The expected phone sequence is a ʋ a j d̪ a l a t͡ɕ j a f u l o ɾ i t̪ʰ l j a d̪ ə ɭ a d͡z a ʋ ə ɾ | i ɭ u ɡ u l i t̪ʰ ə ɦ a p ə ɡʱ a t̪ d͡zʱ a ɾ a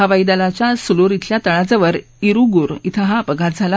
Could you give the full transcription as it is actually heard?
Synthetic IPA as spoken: a ʋ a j d̪ a l a t͡ɕ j a s u l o ɾ i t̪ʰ l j a t̪ ə ɭ a d͡z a ʋ ə ɾ | i ɾ u ɡ u ɾ i t̪ʰ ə ɦ a p ə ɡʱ a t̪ d͡zʱ a l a